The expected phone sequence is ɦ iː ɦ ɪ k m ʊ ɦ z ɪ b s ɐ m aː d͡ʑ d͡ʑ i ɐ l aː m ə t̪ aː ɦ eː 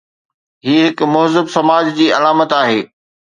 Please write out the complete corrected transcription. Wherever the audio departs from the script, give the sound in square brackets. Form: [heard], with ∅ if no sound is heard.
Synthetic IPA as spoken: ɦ iː ɦ ɪ k m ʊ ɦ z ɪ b s ɐ m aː d͡ʑ d͡ʑ [iː] ɐ l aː m ə t̪ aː ɦ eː